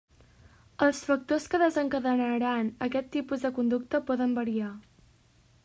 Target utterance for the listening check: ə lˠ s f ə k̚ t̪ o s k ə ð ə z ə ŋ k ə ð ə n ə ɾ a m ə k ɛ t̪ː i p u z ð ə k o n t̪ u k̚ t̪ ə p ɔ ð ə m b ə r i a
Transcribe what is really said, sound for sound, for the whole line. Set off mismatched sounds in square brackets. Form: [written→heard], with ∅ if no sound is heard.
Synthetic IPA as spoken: ə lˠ s f ə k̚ t̪ o s k ə ð ə z ə ŋ k ə ð ə n ə ɾ a [m→n] ə k ɛ t̪ː i p u z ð ə k [o→u] n [t̪→d̪] u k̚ t̪ ə p ɔ ð ə m b ə [r→ɾ] i a